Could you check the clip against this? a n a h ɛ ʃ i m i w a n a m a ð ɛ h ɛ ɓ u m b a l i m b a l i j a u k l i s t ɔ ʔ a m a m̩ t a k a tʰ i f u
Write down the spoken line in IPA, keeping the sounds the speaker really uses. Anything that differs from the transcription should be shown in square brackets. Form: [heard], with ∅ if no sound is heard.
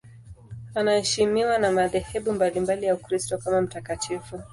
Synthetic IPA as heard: a n a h ɛ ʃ i m i w a n a m a ð ɛ h ɛ ɓ u m b a l i m b a l i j a u k [ɾ] i s t ɔ [k] a m a m̩ t a k a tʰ i f u